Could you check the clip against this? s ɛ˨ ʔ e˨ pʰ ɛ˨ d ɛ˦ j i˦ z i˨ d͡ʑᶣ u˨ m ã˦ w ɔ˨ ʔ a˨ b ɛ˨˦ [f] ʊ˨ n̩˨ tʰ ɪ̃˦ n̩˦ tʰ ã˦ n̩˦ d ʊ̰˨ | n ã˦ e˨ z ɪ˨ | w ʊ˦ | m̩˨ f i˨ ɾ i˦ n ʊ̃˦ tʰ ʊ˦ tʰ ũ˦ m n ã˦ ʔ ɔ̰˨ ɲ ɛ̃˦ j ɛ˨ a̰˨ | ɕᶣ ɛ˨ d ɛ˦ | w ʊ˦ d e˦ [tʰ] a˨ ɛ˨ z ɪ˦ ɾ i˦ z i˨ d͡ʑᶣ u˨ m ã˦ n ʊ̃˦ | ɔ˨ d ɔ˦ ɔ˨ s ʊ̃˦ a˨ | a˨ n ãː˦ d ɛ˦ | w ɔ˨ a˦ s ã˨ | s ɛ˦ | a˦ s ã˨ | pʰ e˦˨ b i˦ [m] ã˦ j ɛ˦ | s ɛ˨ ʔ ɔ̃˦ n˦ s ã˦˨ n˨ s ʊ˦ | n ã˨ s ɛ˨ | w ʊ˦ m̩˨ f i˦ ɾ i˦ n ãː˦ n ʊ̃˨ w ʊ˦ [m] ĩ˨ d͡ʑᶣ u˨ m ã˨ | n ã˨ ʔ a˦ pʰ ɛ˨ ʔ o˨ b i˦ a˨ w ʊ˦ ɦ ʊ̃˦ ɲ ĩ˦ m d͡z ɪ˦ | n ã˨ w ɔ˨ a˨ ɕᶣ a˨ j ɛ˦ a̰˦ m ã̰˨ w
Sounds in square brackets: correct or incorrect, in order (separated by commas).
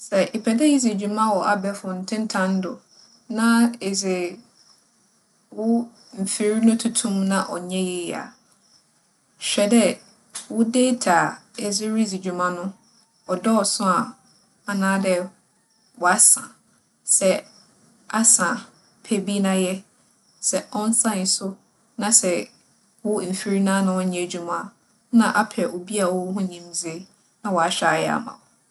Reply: correct, correct, incorrect, incorrect